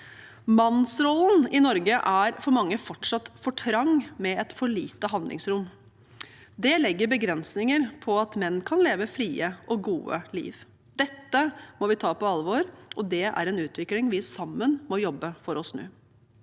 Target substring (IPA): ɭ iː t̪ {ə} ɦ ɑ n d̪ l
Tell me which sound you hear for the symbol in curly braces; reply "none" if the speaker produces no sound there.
ə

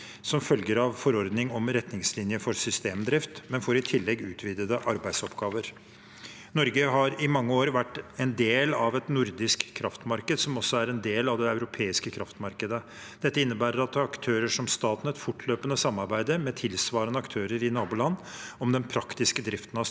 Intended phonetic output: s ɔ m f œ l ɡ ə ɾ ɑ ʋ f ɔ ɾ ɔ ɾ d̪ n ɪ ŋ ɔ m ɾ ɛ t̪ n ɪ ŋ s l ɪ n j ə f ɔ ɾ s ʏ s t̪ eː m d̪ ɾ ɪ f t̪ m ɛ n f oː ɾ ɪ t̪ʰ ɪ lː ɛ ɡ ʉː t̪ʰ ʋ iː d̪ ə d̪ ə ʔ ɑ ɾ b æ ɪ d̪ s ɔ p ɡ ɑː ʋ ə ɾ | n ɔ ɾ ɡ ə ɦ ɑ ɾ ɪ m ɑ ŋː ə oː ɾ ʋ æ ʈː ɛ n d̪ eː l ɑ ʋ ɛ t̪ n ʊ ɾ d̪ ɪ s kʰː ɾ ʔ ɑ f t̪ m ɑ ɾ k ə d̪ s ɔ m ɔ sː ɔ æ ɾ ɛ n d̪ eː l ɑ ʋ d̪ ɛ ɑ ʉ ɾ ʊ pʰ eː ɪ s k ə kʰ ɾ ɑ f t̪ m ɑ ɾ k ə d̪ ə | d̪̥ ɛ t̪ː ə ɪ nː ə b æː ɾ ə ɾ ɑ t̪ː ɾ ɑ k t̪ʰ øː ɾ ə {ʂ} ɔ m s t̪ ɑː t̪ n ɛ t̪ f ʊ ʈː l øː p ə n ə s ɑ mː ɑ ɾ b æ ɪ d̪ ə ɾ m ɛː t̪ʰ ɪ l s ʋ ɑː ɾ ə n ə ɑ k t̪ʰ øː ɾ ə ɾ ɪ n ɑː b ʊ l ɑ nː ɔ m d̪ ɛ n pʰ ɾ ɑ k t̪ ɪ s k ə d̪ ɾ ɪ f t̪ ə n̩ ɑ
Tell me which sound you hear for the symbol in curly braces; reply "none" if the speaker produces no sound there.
ʂ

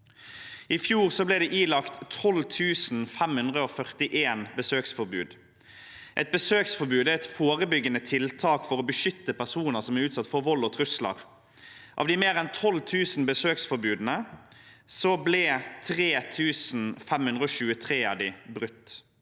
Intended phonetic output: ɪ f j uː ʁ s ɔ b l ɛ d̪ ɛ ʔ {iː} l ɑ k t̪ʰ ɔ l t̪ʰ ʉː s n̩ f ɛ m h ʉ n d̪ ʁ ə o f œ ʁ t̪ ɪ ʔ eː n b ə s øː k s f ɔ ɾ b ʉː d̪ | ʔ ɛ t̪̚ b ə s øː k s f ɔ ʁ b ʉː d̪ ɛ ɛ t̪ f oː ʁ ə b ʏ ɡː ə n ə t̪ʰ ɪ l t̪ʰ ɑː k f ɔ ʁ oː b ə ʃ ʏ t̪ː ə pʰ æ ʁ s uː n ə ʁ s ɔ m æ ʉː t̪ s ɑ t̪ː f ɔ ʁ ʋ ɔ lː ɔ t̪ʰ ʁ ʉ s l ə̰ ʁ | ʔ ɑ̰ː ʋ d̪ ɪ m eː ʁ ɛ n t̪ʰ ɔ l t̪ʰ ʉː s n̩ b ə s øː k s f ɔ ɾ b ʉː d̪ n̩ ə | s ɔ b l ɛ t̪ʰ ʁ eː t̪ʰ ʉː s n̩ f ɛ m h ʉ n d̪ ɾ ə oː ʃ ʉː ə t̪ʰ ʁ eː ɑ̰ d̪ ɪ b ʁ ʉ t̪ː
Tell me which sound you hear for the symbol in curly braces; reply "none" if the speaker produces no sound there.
iː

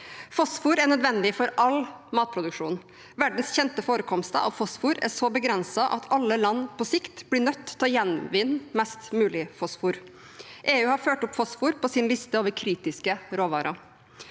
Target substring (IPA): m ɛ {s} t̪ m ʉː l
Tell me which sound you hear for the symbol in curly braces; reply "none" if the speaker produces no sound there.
s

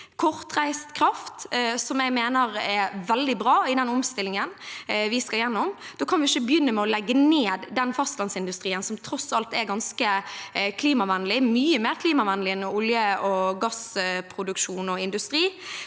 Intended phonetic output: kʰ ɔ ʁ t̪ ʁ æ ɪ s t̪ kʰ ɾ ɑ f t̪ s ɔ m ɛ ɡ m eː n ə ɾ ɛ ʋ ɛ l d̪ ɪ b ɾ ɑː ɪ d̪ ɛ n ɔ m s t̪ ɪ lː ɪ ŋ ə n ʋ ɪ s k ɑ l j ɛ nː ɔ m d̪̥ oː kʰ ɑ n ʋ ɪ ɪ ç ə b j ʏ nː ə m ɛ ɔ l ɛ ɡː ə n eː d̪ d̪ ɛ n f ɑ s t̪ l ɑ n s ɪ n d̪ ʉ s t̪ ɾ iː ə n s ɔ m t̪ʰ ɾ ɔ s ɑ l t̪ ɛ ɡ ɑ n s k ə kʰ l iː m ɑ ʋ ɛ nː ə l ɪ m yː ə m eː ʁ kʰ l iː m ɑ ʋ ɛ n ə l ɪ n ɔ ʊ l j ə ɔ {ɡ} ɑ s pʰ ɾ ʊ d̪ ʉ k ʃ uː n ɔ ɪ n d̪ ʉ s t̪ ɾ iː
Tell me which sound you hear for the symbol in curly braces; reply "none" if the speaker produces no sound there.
ɡ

